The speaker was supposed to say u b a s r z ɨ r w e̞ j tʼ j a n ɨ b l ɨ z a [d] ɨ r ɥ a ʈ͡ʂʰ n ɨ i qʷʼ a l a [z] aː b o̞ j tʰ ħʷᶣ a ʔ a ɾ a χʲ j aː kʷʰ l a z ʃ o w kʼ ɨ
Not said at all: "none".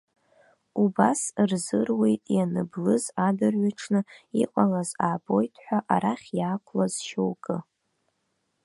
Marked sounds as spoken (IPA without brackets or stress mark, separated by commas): d, z